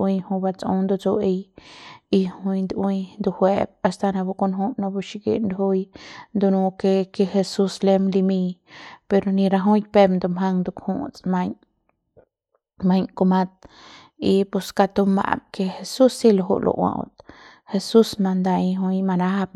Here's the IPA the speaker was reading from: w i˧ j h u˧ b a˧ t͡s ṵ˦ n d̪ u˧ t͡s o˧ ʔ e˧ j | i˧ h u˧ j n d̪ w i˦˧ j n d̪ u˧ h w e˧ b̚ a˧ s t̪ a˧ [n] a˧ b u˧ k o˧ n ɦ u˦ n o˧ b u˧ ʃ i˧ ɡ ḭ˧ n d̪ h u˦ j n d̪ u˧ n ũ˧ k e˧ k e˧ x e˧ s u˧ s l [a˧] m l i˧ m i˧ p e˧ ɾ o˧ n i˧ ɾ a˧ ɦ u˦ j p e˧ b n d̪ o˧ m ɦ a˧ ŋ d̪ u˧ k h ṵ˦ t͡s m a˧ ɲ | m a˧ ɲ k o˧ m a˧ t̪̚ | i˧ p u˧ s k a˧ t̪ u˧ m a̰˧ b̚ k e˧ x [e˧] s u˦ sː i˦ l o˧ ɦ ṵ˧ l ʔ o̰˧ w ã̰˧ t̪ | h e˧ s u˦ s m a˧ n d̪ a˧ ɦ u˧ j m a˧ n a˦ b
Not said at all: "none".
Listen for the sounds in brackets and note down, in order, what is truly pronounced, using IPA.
n, e˧, e˧

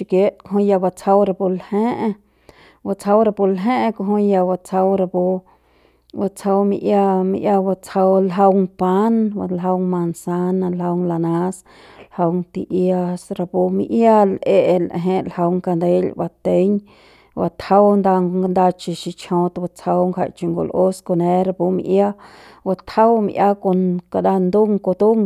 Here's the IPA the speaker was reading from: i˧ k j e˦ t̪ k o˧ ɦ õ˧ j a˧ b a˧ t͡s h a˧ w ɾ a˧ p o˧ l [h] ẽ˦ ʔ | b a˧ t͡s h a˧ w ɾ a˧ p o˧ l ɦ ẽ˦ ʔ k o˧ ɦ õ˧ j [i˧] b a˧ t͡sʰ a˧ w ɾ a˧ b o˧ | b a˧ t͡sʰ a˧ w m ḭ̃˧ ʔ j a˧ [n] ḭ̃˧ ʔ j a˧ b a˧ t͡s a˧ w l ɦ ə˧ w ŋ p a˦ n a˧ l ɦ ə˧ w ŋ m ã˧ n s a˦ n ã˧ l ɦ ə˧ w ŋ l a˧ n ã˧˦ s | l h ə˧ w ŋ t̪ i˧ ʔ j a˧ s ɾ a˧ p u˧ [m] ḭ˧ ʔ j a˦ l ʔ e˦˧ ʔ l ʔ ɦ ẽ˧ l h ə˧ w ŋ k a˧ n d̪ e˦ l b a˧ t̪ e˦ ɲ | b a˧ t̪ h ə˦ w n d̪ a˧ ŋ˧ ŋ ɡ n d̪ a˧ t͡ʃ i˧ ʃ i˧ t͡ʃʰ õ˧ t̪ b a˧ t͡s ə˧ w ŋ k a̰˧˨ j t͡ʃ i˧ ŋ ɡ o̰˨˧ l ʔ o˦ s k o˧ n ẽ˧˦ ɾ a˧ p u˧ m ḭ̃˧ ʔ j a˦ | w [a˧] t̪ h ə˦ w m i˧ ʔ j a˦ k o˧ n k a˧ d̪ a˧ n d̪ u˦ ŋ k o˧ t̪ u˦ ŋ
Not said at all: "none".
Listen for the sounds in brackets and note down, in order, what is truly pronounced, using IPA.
h, a˧, m, m, a˧

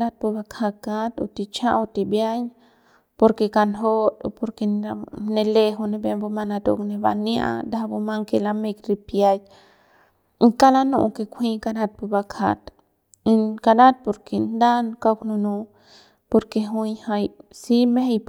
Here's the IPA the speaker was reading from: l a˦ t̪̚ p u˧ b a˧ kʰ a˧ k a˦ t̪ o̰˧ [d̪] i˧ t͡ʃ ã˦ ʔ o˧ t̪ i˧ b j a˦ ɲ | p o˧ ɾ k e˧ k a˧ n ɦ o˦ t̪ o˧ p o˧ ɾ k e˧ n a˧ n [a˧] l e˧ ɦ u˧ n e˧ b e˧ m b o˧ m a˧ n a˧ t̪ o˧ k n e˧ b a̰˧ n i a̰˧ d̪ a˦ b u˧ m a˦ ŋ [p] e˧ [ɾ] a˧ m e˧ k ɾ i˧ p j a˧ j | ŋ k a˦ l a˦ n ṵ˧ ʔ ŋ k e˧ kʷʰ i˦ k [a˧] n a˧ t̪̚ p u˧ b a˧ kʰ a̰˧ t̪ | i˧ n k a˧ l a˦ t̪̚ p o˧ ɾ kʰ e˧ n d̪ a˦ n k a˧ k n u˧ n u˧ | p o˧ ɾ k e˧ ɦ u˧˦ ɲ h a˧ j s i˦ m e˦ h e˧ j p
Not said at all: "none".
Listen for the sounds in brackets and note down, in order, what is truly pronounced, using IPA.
t̪, e˧, k, l, a˧

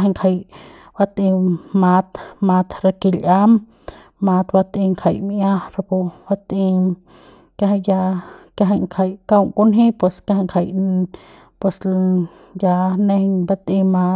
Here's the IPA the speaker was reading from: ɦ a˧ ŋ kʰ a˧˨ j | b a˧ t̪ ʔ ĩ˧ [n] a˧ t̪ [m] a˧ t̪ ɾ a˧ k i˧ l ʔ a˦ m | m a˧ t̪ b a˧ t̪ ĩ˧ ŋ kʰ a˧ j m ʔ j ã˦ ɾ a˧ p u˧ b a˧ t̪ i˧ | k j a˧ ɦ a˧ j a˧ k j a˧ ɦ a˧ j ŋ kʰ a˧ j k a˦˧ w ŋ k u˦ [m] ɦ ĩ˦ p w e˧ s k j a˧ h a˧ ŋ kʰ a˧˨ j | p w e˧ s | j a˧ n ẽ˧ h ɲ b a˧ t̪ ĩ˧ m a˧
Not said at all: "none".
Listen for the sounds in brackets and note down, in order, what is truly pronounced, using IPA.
m, m, n

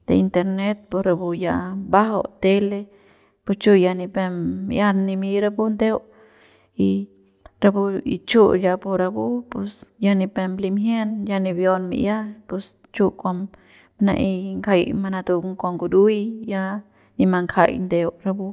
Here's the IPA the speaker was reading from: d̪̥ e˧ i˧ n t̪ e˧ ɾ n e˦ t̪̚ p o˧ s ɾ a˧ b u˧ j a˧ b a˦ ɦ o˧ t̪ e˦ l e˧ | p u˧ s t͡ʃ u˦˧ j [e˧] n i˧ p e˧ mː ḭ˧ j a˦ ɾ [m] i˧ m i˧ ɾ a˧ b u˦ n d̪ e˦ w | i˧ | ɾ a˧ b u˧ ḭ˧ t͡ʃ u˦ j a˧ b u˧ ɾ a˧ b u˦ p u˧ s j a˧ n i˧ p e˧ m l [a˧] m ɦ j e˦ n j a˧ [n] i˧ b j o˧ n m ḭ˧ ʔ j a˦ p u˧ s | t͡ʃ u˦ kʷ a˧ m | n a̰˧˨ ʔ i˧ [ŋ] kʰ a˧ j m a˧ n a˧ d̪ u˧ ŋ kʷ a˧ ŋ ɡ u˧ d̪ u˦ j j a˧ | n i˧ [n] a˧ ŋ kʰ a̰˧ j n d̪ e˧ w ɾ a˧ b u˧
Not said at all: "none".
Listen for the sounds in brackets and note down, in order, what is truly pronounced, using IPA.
a˧, n, i˧, n, ŋ, m

